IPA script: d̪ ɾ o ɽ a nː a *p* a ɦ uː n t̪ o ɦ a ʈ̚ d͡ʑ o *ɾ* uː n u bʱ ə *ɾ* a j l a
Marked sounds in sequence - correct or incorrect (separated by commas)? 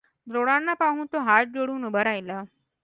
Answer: correct, incorrect, correct